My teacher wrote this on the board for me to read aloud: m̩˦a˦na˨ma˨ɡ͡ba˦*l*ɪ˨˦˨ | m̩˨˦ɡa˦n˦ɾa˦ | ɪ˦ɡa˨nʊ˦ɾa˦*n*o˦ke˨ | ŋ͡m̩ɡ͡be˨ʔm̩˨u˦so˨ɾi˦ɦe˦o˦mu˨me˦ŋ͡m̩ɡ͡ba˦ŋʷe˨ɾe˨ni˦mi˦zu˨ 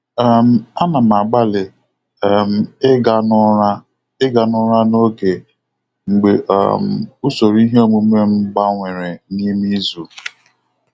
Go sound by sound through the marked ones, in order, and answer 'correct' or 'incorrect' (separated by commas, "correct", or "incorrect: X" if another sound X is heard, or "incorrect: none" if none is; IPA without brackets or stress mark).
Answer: correct, correct